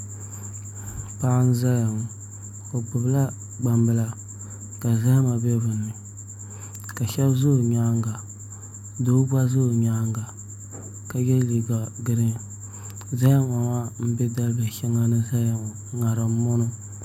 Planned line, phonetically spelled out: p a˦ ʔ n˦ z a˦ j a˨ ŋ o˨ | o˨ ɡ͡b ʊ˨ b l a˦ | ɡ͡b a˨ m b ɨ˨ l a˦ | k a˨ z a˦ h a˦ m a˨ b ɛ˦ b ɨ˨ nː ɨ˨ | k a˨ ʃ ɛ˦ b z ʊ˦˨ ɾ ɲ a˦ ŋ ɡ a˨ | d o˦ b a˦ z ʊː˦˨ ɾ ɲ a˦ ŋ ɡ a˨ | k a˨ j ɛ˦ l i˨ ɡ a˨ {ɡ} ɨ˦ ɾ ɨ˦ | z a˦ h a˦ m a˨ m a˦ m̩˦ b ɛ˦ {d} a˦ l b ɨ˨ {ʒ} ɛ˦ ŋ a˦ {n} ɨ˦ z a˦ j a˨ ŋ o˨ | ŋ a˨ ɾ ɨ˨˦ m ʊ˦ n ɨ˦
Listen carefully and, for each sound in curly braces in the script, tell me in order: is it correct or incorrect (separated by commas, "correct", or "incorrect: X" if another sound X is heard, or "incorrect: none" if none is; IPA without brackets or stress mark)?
correct, correct, incorrect: ʃ, correct